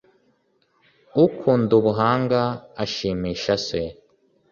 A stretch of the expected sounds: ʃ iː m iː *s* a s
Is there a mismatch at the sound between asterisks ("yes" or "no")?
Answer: yes